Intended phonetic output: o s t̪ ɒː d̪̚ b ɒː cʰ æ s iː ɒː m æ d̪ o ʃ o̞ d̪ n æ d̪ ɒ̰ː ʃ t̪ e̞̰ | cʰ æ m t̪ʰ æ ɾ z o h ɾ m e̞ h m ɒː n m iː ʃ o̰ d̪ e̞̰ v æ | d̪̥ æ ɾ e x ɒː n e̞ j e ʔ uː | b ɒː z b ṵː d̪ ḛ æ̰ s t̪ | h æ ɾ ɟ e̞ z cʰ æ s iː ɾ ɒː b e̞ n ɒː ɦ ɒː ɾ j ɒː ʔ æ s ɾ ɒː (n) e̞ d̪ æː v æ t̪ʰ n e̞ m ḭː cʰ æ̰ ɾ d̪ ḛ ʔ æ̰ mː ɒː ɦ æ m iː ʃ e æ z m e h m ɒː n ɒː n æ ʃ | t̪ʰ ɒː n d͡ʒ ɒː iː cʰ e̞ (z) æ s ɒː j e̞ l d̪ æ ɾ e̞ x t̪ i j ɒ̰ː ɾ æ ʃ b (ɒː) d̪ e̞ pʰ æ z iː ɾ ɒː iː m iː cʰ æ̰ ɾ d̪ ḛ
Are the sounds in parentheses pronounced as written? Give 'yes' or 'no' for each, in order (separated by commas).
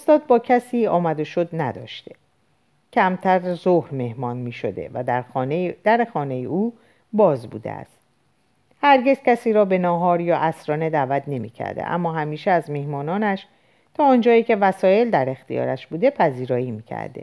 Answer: yes, no, no